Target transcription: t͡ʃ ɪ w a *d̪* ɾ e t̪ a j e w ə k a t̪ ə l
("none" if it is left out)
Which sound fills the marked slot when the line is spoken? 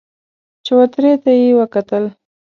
t̪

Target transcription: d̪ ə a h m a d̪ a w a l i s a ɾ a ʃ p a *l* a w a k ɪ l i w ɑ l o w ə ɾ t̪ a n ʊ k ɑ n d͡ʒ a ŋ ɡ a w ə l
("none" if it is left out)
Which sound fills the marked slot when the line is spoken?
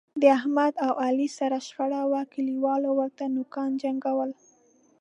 ɽ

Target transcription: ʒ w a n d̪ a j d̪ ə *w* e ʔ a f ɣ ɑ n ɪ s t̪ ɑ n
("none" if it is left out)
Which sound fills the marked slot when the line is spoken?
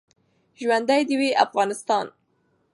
w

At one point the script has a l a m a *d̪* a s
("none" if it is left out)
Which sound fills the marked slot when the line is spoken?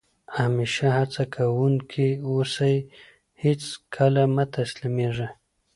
t̪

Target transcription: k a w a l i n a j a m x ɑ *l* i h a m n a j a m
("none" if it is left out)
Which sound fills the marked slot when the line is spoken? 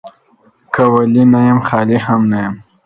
l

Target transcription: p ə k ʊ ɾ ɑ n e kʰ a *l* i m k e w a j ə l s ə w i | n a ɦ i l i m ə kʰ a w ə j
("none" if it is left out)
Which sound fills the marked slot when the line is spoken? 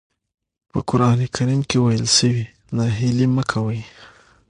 ɾ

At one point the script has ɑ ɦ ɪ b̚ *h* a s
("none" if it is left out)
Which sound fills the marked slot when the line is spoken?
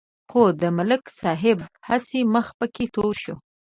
h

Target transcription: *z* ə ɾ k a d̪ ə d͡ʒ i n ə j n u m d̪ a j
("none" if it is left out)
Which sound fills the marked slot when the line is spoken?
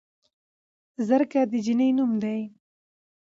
z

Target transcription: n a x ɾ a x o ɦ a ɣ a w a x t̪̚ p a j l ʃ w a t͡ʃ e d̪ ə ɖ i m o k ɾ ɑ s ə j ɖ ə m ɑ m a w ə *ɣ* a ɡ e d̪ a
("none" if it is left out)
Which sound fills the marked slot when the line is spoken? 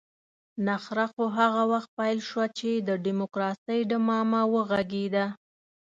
ɣ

